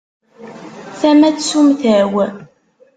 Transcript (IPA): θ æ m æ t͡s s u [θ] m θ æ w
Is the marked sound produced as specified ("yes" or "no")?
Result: no